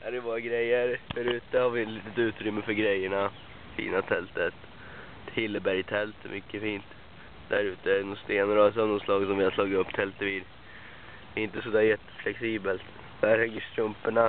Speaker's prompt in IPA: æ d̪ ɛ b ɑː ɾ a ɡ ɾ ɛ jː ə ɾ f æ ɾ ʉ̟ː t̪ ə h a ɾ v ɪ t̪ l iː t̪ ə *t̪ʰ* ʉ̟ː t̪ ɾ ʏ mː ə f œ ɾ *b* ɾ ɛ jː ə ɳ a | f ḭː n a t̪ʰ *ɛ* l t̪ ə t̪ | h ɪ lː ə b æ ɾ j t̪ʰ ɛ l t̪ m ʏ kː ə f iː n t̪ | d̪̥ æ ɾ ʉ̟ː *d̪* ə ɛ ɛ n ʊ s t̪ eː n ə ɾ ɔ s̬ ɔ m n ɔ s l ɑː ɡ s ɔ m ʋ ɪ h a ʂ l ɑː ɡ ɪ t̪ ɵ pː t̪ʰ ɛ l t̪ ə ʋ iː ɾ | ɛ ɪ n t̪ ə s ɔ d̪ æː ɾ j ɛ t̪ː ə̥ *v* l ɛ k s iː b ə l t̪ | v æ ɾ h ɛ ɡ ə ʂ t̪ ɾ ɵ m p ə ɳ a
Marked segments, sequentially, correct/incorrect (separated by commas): incorrect, incorrect, correct, incorrect, incorrect